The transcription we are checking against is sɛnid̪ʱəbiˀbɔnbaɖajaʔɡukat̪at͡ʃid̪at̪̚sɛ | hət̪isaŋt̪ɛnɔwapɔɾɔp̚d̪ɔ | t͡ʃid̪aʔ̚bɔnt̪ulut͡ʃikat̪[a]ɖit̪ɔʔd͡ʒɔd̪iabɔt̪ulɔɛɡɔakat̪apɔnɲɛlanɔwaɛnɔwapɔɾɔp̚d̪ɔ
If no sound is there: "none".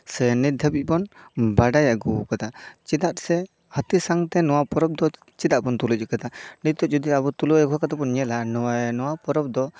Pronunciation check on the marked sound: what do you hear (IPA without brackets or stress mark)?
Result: a